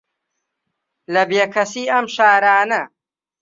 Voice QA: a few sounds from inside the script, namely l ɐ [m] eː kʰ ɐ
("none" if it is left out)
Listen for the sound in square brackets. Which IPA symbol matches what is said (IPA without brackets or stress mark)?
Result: b